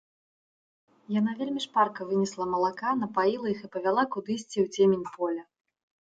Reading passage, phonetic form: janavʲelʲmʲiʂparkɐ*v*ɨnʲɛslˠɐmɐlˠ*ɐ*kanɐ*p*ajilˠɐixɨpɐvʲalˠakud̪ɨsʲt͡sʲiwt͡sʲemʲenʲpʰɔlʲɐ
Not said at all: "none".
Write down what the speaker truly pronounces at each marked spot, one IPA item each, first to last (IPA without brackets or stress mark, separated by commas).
v, a, p